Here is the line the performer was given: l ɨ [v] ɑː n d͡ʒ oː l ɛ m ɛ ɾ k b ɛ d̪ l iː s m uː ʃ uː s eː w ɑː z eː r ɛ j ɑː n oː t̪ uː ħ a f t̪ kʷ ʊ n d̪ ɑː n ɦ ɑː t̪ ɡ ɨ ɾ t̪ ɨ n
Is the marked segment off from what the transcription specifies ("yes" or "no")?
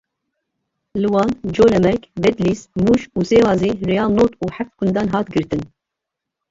yes